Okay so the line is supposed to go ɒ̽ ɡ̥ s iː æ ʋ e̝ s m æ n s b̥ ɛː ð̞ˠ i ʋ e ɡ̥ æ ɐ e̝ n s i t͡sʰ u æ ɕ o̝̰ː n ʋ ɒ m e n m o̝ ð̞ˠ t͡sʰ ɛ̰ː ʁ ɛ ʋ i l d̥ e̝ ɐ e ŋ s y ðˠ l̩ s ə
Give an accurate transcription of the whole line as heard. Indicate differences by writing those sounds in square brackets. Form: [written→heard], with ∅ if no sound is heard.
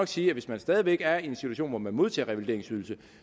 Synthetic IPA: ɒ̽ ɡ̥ s iː æ ʋ e̝ s m æ n s [b̥→d̥] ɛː ð̞ˠ i ʋ e ɡ̥ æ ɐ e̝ n s i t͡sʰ u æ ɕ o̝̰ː n ʋ ɒ m [e→æ] n m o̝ ð̞ˠ t͡sʰ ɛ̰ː ʁ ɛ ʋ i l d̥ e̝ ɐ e ŋ s y ðˠ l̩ s ə